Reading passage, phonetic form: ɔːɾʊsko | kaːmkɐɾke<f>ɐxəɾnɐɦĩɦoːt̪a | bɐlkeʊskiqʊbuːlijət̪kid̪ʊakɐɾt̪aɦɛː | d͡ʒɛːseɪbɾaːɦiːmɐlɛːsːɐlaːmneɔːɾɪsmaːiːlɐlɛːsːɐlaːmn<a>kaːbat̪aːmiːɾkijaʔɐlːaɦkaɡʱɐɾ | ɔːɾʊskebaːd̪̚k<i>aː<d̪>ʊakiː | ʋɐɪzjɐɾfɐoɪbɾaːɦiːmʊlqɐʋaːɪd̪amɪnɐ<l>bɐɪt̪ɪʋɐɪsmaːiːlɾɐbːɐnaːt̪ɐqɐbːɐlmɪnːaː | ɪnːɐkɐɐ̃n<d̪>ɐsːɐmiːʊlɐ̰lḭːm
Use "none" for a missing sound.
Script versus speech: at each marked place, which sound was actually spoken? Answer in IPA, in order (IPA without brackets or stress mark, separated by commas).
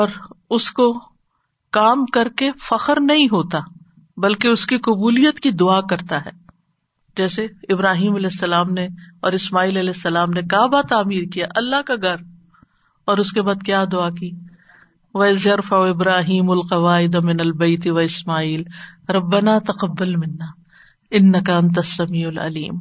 f, e, j, d̪, l, t̪